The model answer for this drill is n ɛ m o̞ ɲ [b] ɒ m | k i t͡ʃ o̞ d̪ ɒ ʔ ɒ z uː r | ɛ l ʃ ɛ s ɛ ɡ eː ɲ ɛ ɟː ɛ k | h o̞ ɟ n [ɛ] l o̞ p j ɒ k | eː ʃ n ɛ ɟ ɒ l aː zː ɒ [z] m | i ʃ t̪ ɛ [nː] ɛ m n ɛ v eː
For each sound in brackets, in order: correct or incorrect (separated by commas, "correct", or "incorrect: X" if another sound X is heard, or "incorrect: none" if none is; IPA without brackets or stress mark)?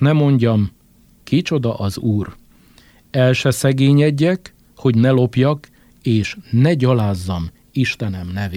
incorrect: ɟ, correct, incorrect: none, incorrect: n